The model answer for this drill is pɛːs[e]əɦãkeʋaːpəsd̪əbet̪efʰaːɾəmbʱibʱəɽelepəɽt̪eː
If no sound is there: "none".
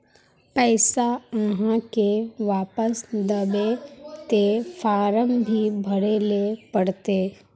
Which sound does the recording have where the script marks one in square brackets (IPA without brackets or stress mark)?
a